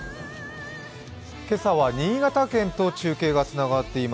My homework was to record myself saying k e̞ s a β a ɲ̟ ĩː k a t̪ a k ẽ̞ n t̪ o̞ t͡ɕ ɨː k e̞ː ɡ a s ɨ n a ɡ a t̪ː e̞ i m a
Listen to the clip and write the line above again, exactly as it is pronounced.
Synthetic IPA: k e̞ s a β a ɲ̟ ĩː ɡ a t̪ a k ẽ̞ n t̪ o̞ t͡ɕ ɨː k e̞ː ɡ a t͡s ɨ n a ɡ a t̪ː e̞ i m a

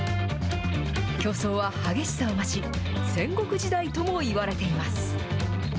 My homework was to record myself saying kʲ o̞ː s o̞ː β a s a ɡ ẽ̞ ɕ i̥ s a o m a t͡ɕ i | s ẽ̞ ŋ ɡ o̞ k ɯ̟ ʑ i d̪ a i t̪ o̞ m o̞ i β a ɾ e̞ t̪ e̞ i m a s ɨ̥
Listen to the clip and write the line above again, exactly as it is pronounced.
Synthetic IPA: kʲ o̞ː s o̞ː β a h a ɡ e̞ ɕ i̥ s a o m a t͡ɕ i | s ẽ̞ ŋ ɡ o̞ k ɯ̟ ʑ i d̪ a i t̪ o̞ m o̞ i β a ɾ e̞ t̪ e̞ i m a s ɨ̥

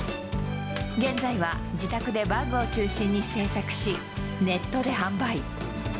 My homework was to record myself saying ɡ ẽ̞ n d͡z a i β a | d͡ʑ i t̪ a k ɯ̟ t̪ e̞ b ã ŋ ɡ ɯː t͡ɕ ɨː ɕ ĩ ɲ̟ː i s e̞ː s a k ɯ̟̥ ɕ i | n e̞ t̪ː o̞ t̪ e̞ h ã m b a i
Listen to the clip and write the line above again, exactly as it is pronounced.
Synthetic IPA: ɡ ẽ̞ n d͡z a i β a | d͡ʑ i t̪ a k ɯ̟ d̪ e̞ b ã ŋ ɡ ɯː t͡ɕ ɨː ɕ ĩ ɲ̟ː i s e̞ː s a k ɯ̟̥ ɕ i | n e̞ t̪ː o̞ d̪ e̞ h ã m b a i

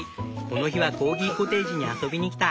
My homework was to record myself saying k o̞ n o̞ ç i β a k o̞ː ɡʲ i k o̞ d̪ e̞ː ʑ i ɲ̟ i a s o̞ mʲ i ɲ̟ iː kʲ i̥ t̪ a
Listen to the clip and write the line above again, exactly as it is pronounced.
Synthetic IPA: k o̞ n o̞ ç i β a k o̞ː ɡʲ i k o̞ t̪ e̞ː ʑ i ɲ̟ i a s o̞ bʲ i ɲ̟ i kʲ i̥ t̪ a

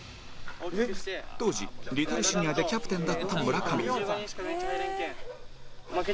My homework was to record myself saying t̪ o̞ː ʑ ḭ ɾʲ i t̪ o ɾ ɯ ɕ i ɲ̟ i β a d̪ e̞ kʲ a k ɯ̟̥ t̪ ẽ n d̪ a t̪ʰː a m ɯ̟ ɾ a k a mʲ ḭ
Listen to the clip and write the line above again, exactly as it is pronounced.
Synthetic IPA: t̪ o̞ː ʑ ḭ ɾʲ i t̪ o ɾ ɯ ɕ i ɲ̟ i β a d̪ e̞ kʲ a p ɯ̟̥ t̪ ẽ n d̪ a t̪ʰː a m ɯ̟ ɾ a k a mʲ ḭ

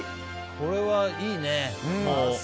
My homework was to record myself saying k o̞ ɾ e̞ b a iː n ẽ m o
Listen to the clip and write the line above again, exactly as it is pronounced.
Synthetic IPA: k o̞ ɾ e̞ β a iː n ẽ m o

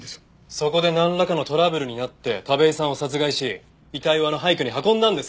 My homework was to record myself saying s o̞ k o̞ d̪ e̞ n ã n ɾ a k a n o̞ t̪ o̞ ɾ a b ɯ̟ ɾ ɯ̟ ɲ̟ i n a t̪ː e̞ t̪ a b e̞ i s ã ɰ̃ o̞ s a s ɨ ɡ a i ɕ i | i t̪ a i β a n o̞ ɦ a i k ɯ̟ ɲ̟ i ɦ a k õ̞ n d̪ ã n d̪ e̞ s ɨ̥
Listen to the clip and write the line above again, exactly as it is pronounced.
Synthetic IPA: s o̞ k o̞ d̪ e̞ n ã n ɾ a k a n o̞ t̪ o̞ ɾ a b ɯ̟ ɾ ɯ̟ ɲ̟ i n a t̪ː e̞ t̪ a b e̞ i s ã ɰ̃ o̞ s a t͡s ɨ ɡ a i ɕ i | i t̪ a i β a n o̞ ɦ a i k ɯ̟ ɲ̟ i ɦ a k õ̞ n d̪ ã n d̪ e̞ s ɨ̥

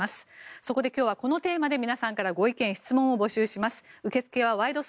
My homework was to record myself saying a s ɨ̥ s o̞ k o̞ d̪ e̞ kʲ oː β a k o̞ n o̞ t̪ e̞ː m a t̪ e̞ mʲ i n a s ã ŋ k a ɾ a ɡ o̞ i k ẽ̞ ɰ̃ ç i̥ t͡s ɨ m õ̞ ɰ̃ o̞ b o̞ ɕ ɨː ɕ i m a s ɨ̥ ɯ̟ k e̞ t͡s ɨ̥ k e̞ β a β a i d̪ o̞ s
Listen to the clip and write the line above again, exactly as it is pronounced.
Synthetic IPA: a s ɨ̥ s o̞ k o̞ d̪ e̞ kʲ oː β a k o̞ n o̞ t̪ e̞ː m a d̪ e̞ mʲ i n a s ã ŋ k a ɾ a ɡ o̞ i k ẽ̞ ɰ̃ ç i̥ t͡s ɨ m õ̞ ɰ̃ o̞ b o̞ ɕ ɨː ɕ i m a s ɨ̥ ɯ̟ k e̞ t͡s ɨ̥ k e̞ β a β a i d̪ o̞ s

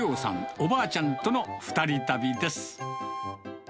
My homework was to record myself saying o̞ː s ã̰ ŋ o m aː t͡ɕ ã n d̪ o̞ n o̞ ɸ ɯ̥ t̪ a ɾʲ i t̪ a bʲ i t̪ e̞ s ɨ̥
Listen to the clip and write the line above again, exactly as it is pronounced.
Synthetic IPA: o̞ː s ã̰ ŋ o b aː t͡ɕ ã n t̪ o̞ n o̞ ɸ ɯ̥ t̪ a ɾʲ i t̪ a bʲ i d̪ e̞ s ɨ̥

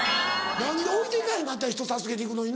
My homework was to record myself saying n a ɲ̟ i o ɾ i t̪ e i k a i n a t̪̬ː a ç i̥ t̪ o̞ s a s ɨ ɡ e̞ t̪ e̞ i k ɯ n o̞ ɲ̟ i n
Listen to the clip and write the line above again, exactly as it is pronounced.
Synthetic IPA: n a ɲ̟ i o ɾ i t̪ e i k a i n a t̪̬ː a ç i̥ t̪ o̞ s a s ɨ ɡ e̞ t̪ e̞ i k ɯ n o̞ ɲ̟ i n

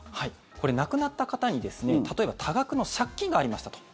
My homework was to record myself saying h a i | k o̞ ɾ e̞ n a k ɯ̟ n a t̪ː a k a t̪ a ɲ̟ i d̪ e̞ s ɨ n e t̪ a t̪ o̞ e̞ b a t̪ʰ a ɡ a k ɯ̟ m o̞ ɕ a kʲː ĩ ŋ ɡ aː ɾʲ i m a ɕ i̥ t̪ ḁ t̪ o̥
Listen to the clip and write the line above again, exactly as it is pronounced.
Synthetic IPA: h a i | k o̞ ɾ e̞ n a k ɯ̟ n a t̪ː a k a t̪ a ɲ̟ i d̪ e̞ s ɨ n e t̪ a t̪ o̞ e̞ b a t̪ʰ a ɡ a k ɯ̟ n o̞ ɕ a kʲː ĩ ŋ ɡ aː ɾʲ i m a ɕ i̥ t̪ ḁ t̪ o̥

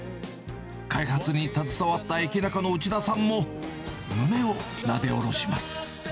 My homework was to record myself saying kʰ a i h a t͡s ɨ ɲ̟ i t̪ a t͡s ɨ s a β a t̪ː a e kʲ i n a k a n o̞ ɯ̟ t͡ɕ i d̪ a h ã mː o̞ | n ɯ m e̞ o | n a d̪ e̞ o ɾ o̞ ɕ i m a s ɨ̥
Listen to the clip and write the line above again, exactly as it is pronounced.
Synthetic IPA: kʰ a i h a t͡s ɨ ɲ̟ i t̪ a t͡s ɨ s a β a t̪ː a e kʲ i n a k a n o̞ ɯ̟ t͡ɕ i d̪ a s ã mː o̞ | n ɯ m e̞ o | n a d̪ e̞ o ɾ o̞ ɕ i m a s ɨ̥

